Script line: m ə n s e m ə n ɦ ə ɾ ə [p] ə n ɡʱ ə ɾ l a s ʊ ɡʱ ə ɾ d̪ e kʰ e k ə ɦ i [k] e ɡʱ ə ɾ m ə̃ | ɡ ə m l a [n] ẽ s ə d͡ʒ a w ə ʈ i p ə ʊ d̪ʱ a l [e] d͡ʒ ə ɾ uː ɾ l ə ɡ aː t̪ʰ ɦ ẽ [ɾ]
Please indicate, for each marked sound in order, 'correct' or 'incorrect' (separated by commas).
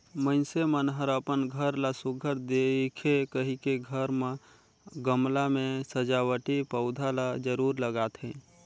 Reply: correct, correct, incorrect, incorrect, incorrect